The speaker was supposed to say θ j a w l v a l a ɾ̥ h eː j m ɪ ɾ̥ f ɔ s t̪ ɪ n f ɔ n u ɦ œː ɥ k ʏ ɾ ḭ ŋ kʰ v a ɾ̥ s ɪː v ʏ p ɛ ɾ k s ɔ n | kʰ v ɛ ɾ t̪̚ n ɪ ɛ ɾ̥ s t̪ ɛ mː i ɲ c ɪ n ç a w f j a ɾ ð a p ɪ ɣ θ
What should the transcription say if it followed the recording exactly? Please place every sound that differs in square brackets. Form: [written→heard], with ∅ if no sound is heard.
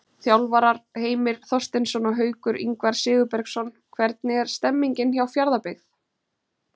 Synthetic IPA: θ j a w l v a [l→ɾ] a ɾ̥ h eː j m ɪ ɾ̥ [f→θ] ɔ s t̪ ɪ n [f→s] ɔ n [u→ɔ] ɦ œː ɥ k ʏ ɾ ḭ ŋ [kʰ→k] v a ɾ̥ s ɪː [v→ɣ] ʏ p ɛ ɾ k s ɔ n | kʰ v ɛ ɾ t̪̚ n ɪ ɛ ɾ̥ s t̪ ɛ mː i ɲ c ɪ n ç a w f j a ɾ ð a p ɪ ɣ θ